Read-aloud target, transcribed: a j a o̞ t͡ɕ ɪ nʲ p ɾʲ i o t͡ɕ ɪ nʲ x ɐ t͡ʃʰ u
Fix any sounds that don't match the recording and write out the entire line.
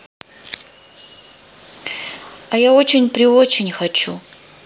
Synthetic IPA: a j a o̞ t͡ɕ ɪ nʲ p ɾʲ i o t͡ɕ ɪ nʲ x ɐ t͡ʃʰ u